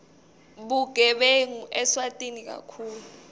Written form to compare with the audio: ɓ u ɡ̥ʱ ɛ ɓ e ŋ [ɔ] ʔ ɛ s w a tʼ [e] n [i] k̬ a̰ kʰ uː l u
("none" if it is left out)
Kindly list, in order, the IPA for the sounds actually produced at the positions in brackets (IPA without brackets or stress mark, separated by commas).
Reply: u, i, i